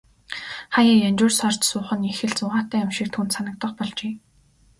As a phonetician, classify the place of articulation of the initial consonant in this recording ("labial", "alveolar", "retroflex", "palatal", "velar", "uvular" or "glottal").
uvular